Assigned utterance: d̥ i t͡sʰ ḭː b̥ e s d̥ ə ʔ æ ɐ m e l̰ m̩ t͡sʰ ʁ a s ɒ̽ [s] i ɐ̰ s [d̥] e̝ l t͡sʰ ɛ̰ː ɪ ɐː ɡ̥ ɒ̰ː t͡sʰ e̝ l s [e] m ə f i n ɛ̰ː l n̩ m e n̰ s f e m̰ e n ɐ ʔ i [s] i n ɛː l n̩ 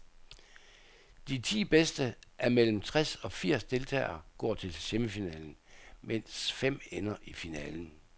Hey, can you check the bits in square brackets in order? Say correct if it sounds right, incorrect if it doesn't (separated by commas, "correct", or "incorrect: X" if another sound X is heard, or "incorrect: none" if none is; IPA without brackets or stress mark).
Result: incorrect: f, correct, correct, incorrect: f